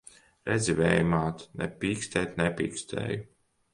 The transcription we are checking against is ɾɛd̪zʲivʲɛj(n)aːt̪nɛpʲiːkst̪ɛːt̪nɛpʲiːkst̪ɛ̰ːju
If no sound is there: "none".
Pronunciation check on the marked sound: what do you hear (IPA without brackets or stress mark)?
m